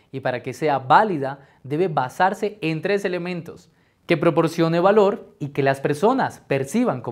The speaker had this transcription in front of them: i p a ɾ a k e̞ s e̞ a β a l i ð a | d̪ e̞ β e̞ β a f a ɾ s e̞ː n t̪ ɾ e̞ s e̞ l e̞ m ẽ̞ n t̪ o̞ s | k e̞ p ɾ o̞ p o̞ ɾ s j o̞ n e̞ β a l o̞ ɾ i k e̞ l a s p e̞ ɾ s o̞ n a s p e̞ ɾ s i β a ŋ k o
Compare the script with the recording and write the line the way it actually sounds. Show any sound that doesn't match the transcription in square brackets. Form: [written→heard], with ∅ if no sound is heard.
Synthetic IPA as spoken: i p a ɾ a k e̞ s e̞ a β a l i ð a | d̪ e̞ β e̞ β a [f→s] a ɾ s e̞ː n t̪ ɾ e̞ s e̞ l e̞ m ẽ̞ n t̪ o̞ s | k e̞ p ɾ o̞ p o̞ ɾ s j o̞ n e̞ β a l o̞ ɾ i k e̞ l a s p e̞ ɾ s o̞ n a s p e̞ ɾ s i β a ŋ k o